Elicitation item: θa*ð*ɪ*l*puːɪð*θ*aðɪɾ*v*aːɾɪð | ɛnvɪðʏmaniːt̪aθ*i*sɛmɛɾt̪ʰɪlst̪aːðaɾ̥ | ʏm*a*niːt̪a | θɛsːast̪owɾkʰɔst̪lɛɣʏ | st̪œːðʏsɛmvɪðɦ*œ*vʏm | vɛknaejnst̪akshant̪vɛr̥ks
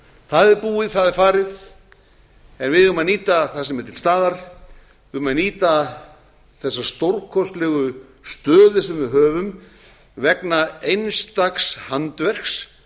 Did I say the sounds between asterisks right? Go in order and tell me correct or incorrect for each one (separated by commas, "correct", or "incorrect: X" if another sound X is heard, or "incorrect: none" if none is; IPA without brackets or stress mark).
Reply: correct, incorrect: ɾ, correct, incorrect: f, incorrect: a, correct, incorrect: œː